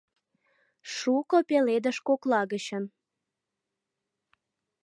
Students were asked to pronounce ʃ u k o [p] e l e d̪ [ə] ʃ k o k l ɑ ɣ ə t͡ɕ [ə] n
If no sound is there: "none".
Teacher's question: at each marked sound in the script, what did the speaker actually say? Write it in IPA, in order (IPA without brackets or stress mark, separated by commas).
p, ə, ə